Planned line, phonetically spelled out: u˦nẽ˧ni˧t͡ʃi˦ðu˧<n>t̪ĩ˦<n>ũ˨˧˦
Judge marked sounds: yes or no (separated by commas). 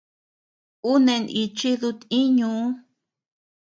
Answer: no, no